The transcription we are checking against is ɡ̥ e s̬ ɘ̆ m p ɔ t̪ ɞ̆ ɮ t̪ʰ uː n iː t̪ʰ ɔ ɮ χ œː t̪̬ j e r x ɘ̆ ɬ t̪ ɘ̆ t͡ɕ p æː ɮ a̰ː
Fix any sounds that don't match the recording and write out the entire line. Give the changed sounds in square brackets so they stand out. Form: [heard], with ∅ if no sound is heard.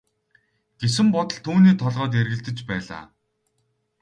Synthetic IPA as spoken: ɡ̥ e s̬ ɘ̆ m p ɔ t̪ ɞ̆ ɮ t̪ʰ uː n iː t̪ʰ ɔ ɮ [ʁ] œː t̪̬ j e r [ɣ] ɘ̆ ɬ t̪ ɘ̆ t͡ɕ p æː ɮ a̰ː